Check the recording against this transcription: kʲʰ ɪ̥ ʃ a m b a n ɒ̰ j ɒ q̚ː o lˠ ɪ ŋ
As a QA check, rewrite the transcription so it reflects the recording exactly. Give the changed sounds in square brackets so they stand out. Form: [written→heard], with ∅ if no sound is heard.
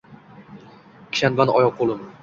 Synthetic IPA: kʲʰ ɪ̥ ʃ a [m→n] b a n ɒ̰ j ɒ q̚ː o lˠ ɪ [ŋ→m]